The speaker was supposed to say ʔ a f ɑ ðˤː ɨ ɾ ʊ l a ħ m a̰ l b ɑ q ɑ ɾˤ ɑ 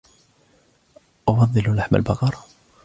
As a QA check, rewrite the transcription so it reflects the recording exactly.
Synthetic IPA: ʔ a f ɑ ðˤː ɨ l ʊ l a ħ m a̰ l b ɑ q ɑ ɾˤ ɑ